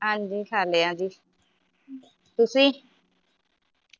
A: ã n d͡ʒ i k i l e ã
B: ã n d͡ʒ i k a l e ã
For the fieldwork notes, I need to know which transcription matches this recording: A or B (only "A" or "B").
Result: B